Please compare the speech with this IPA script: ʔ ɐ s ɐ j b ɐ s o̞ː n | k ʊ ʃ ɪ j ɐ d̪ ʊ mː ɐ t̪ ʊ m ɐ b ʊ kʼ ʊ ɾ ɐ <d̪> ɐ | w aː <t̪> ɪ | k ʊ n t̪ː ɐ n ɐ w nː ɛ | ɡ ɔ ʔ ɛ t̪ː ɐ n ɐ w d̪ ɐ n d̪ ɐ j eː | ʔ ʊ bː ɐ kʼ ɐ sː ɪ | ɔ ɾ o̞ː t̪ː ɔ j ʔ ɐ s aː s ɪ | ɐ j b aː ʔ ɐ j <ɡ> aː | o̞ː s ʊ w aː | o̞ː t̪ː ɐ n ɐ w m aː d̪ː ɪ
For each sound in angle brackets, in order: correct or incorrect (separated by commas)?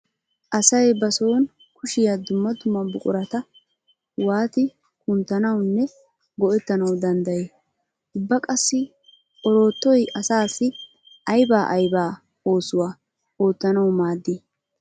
incorrect, correct, incorrect